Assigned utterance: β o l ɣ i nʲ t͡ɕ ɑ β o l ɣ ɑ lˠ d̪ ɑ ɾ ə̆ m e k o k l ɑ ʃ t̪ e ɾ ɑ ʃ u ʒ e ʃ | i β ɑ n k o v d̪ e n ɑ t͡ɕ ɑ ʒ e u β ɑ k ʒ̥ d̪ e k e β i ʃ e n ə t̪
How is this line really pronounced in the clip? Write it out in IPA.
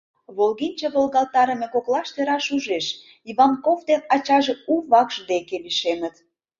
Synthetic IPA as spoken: β o l ɣ i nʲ t͡ɕ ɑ β o l ɣ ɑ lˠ t̪ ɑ ɾ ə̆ m e k o k l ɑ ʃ t̪ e ɾ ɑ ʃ u ʒ e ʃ | i β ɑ n k o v d̪ e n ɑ t͡ɕ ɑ ʒ e u β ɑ k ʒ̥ d̪ e k e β i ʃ e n ə t̪